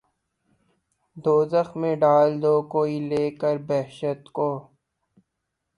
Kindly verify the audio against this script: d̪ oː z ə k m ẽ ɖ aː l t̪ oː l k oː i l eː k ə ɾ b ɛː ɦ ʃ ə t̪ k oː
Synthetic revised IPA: d̪ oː z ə x m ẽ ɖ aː l d̪ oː k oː i l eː k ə ɾ b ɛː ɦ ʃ ə t̪ k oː